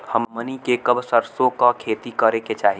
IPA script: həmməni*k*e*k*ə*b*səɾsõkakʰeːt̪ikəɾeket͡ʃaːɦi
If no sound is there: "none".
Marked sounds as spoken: k, k, b

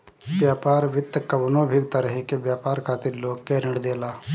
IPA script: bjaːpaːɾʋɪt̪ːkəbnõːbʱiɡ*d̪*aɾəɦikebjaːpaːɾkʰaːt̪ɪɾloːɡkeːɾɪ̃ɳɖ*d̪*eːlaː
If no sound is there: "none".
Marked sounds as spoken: t̪, d̪

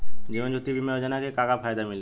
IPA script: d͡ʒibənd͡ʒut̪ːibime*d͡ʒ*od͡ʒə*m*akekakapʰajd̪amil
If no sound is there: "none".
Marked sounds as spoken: none, n

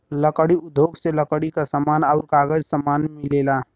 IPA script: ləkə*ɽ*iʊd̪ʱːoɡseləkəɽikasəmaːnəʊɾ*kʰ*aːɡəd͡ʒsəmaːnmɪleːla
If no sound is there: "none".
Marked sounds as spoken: ɽ, k

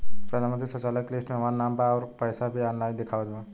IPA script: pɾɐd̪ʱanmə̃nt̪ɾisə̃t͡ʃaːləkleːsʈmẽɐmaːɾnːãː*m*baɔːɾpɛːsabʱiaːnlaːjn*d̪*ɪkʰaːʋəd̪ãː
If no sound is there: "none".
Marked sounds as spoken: m, d̪

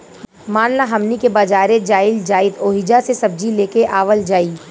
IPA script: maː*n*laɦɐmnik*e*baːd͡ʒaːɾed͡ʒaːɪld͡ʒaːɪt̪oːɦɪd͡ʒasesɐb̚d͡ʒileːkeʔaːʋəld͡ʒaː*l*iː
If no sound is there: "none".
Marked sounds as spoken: n, e, none

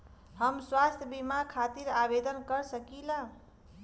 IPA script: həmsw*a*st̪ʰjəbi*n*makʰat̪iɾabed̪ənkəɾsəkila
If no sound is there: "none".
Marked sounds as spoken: a, none

